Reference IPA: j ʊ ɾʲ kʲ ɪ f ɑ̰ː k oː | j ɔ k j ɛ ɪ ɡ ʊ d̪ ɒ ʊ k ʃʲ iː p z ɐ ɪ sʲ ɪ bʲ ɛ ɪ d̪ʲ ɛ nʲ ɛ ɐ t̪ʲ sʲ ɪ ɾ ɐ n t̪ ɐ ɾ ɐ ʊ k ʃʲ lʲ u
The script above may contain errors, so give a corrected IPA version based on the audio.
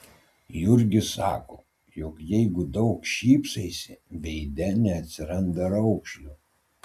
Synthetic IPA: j ʊ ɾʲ ɡʲ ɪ s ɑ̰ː k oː | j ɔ k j ɛ ɪ ɡ ʊ d̪ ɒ ʊ k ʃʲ iː p s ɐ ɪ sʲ ɪ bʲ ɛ ɪ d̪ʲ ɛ nʲ ɛ ɐ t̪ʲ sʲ ɪ ɾ ɐ n d̪ ɐ ɾ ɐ ʊ k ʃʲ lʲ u